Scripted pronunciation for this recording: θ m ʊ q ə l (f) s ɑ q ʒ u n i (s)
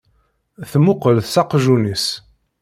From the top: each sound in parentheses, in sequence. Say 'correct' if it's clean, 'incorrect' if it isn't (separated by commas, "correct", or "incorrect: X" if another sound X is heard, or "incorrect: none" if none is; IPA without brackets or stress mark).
incorrect: θ, correct